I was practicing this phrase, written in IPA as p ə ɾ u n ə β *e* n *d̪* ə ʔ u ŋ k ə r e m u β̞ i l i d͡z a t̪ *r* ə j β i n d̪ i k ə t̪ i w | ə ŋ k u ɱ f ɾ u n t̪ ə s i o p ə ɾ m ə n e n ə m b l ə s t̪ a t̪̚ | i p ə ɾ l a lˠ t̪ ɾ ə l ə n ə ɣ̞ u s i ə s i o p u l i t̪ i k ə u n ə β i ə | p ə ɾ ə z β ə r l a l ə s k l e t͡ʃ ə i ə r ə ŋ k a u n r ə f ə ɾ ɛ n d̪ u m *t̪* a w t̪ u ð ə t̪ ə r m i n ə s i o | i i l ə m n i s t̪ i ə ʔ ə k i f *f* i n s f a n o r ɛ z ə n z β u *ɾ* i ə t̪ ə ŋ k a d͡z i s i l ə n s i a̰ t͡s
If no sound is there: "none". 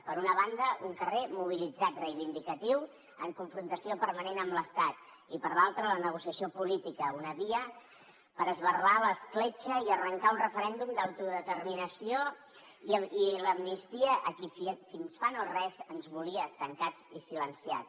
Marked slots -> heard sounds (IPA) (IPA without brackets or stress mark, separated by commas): a, d̪, r, d̪, f, l